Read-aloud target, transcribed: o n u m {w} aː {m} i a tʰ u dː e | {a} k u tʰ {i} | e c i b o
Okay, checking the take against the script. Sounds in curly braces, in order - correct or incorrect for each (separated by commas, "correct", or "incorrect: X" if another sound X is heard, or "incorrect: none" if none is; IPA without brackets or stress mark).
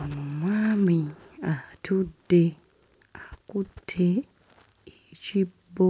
correct, correct, correct, incorrect: e